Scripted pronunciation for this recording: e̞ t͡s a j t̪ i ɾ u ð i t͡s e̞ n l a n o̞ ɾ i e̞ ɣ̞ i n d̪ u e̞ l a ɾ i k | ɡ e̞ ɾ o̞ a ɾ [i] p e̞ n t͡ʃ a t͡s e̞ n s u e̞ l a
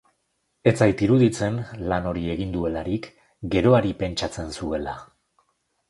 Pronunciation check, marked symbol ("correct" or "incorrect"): correct